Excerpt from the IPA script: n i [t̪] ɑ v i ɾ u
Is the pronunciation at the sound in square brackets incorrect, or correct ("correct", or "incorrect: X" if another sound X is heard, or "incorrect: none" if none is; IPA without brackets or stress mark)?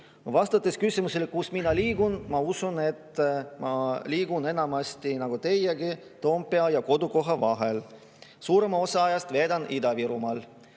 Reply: incorrect: d̪